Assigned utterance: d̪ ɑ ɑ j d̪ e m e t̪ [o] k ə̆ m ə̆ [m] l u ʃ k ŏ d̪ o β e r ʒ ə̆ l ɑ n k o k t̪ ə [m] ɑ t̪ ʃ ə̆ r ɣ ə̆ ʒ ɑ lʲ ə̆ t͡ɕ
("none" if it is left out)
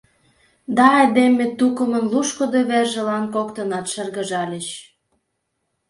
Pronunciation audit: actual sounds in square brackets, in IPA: u, n, n

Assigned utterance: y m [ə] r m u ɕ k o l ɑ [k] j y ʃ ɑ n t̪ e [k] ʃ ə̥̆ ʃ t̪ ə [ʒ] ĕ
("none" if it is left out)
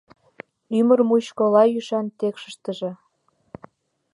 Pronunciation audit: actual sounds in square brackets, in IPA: ə, none, k, ʒ

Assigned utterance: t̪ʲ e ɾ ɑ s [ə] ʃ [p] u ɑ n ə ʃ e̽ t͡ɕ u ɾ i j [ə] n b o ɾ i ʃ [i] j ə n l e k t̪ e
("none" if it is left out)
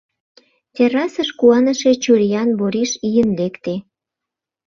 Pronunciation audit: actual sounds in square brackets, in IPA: ə, k, ɑ, i

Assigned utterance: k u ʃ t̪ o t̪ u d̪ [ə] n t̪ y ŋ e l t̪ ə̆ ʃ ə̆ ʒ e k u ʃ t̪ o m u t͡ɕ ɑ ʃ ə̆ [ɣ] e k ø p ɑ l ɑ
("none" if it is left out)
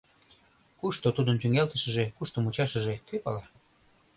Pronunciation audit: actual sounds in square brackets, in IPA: ə, ʒ

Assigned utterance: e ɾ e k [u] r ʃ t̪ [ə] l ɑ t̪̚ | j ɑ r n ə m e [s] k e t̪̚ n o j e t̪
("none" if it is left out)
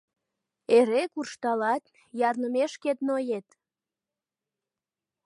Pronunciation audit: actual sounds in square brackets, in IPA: u, ɑ, ʃ

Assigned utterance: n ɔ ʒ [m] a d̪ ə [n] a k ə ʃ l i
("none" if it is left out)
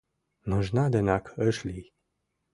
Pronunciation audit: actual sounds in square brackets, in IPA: n, n

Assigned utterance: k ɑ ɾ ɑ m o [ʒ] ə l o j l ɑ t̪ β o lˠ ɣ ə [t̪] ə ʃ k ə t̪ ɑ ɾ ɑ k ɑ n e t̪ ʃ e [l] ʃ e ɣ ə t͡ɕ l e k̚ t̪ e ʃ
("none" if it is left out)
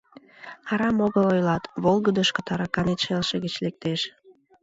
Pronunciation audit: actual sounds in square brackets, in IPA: ɣ, d̪, l

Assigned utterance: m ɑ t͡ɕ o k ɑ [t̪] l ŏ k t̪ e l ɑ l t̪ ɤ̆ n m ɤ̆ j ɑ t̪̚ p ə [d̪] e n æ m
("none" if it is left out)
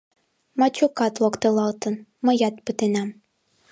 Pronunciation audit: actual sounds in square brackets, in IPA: t̪, t̪

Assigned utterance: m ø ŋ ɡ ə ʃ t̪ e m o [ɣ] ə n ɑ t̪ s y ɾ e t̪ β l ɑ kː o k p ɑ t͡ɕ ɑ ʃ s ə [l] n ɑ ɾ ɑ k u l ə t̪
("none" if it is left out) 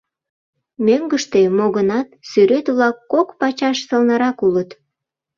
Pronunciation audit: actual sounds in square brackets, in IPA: ɣ, l

